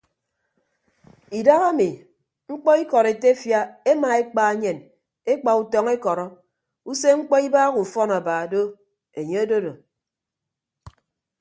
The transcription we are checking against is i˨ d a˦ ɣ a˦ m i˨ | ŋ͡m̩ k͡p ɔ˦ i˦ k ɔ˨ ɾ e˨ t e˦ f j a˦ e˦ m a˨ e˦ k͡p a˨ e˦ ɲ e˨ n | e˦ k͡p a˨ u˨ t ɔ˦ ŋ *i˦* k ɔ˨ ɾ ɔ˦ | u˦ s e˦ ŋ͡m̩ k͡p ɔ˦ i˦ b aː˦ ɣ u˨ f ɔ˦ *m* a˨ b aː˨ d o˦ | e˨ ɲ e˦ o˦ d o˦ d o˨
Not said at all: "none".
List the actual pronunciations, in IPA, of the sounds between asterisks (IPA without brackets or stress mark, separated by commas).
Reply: e˦, n